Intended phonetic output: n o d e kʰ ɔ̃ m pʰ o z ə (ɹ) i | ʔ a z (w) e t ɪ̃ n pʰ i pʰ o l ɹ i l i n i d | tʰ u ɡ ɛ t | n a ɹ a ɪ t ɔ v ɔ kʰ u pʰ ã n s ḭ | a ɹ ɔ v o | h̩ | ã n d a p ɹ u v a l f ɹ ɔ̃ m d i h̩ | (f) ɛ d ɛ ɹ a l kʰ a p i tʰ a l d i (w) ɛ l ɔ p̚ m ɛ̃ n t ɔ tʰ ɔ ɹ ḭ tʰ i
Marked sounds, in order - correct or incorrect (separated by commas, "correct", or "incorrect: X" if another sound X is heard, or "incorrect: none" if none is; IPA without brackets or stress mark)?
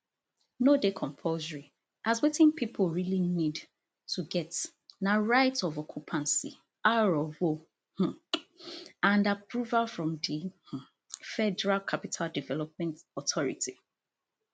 correct, correct, correct, incorrect: v